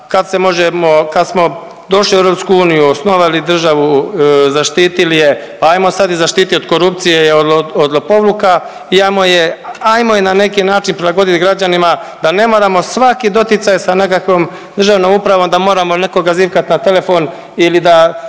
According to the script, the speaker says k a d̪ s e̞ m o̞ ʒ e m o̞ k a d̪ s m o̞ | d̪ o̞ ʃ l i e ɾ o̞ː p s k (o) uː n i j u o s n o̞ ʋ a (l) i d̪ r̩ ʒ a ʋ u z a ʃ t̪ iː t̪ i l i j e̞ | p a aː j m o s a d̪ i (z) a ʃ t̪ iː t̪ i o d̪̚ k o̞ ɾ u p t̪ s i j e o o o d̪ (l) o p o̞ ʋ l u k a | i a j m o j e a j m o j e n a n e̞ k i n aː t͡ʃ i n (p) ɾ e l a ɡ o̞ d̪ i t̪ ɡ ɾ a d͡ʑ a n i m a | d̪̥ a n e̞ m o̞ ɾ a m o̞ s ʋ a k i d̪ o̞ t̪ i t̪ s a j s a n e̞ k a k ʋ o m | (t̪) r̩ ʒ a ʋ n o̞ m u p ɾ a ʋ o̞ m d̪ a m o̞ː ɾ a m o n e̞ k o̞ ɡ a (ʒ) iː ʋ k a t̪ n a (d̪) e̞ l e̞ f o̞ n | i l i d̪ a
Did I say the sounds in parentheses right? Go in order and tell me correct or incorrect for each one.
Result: incorrect: u, correct, correct, correct, correct, incorrect: d̪, incorrect: z, incorrect: t̪

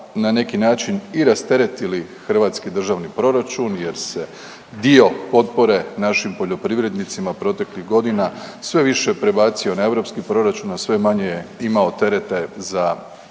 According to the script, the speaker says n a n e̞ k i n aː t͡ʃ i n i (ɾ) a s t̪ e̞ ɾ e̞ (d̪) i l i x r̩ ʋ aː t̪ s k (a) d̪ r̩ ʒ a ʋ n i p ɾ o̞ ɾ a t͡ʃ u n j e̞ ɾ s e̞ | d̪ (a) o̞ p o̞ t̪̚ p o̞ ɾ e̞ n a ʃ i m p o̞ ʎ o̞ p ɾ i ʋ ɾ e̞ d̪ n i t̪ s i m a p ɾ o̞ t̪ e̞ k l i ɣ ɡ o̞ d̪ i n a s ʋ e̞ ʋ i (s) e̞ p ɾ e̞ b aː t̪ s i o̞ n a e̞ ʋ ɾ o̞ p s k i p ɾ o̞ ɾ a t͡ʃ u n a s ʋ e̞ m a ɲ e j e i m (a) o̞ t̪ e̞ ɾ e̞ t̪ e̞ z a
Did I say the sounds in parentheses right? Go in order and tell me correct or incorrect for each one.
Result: correct, incorrect: t̪, incorrect: i, incorrect: i, incorrect: ʃ, correct

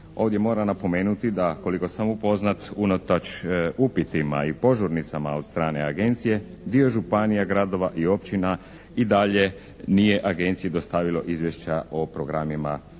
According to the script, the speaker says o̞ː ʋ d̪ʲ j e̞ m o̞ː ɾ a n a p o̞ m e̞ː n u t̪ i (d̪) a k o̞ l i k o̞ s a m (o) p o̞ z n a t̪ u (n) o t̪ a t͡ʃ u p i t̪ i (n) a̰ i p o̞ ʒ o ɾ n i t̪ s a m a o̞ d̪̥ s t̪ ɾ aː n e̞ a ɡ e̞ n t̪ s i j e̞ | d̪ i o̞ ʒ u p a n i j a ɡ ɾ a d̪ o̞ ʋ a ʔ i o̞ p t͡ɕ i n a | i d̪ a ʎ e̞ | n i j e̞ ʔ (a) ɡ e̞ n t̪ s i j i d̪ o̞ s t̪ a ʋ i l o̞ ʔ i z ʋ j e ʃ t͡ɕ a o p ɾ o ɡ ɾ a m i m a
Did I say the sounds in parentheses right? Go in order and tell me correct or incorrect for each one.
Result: correct, incorrect: u, correct, incorrect: m, correct

